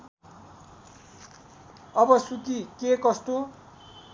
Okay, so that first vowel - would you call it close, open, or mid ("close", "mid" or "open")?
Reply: mid